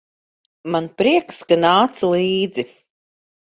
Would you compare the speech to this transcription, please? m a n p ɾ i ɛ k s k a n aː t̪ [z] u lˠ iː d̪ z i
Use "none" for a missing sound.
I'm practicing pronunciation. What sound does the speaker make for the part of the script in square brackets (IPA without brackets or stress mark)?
s